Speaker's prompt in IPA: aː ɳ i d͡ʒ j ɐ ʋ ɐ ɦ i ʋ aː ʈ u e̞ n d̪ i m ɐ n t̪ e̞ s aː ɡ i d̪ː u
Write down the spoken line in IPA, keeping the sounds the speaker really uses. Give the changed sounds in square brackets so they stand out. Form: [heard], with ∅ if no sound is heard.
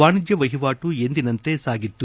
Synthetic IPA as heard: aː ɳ i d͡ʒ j ɐ ʋ ɐ ɦ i ʋ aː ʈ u e̞ n d̪ i [n] ɐ n t̪ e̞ s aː ɡ i [t̪ː] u